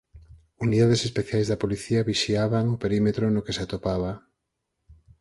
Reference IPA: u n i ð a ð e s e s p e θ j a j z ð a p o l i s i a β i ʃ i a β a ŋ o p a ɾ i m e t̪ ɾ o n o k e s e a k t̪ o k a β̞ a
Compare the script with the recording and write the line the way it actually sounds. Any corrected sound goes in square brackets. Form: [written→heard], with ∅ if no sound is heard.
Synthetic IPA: u n i ð a ð e s e s p e θ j a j z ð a p o l i [s→θ] i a β i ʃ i a β a ŋ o p [a→e] ɾ i m e t̪ ɾ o n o k e s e a [k→∅] t̪ o [k→p] a β̞ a

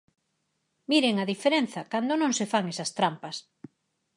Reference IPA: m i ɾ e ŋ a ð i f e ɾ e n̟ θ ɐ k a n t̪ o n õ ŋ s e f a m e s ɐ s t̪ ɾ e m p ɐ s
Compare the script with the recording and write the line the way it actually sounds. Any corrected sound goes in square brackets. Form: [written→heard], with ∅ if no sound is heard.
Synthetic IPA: m i ɾ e ŋ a ð i f e ɾ e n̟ θ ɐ k a n [t̪→d̪] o n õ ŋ s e f a [m→ŋ] e s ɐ s t̪ ɾ [e→a] m p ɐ s

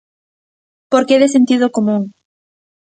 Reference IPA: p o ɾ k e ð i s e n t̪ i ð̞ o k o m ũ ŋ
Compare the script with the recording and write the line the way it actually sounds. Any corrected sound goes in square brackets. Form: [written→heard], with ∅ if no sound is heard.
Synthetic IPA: p o ɾ k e ð [i→e] s e n t̪ i ð̞ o k o m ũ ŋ

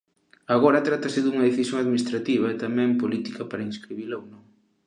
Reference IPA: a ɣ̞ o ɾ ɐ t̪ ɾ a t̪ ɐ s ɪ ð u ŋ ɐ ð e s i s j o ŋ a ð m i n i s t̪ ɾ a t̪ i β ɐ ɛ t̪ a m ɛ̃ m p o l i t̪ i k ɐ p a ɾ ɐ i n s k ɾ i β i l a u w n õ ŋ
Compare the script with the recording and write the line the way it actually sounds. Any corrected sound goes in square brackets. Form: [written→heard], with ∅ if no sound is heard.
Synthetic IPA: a ɣ̞ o ɾ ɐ t̪ ɾ a t̪ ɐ s ɪ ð u ŋ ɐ ð e [s→θ] i s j o ŋ a ð m i n i s t̪ ɾ a t̪ i β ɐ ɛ t̪ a m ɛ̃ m p o l i t̪ i k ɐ p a ɾ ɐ i n s k ɾ i β i l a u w n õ ŋ

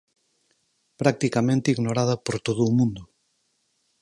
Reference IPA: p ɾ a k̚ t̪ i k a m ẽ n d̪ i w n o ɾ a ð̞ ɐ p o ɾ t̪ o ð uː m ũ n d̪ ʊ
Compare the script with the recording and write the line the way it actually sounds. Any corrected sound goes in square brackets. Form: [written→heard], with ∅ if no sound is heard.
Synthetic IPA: p ɾ a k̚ t̪ i k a m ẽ n [d̪→t̪] i [w→ɣ] n o ɾ a ð̞ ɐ p o ɾ t̪ o ð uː m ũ n d̪ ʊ

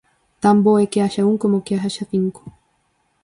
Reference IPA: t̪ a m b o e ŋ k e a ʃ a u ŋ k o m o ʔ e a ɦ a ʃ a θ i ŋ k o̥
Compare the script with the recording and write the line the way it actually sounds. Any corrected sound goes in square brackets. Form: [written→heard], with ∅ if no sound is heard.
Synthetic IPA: t̪ a m b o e [ŋ→∅] k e a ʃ a u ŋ k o m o [ʔ→k] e a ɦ a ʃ a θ i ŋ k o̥

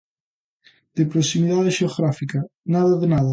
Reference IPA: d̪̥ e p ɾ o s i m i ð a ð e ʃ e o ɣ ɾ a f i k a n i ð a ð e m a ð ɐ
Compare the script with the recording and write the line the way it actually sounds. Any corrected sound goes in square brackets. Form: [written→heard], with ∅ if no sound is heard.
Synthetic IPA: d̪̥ e p ɾ o s i m i ð a ð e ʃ e o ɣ ɾ a f i k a n [i→a] ð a ð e [m→n] a ð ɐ

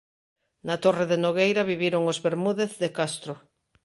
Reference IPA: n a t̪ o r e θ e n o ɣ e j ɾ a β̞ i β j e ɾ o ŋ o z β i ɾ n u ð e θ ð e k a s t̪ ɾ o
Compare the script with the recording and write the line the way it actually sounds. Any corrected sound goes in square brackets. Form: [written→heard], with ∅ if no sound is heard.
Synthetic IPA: n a t̪ o r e [θ→ð] e n o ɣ e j ɾ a β̞ i β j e ɾ o ŋ o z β [i→e] ɾ [n→m] u ð e θ ð e k a s t̪ ɾ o

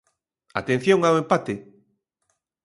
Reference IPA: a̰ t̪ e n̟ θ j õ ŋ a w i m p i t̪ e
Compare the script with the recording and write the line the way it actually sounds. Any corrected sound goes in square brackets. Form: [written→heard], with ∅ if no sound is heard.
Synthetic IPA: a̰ t̪ e n̟ θ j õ ŋ a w [i→e] m p [i→a] t̪ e

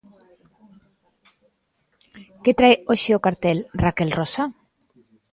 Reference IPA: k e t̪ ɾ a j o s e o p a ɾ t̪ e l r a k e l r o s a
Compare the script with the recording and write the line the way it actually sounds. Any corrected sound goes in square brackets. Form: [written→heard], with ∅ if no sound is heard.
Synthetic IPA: k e t̪ ɾ a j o [s→ʃ] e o [p→k] a ɾ t̪ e l r a k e l r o s a

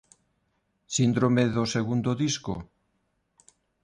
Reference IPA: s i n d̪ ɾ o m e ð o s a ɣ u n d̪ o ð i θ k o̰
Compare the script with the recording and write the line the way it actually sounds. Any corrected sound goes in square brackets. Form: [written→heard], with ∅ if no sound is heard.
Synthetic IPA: s i n d̪ ɾ o m e ð o s [a→e] ɣ u n d̪ o ð i [θ→s] k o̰

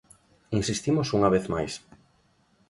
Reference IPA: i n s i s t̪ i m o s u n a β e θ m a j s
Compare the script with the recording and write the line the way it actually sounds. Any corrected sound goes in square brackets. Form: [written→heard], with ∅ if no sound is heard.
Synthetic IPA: i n s i s t̪ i m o s u [n→ŋ] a β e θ m a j s

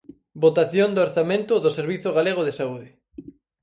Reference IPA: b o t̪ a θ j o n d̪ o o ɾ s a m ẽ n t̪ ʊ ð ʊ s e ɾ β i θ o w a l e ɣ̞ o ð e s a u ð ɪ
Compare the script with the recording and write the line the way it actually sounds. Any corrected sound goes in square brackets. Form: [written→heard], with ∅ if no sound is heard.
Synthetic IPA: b o t̪ a θ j o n d̪ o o ɾ [s→θ] a m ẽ n t̪ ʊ ð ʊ s e ɾ β i θ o [w→ɣ] a l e ɣ̞ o ð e s a u ð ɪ

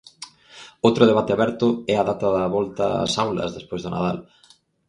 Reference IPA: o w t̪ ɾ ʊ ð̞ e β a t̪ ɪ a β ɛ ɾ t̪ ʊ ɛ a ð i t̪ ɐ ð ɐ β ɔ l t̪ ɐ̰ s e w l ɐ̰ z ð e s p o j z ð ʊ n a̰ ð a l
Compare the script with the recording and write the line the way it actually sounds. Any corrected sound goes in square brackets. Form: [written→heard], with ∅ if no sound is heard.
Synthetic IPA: o w t̪ ɾ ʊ ð̞ e β a t̪ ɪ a β ɛ ɾ t̪ ʊ ɛ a ð [i→a] t̪ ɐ ð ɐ β ɔ l t̪ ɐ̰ s [e→a] w l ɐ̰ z ð e s p o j z ð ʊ n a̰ ð a l

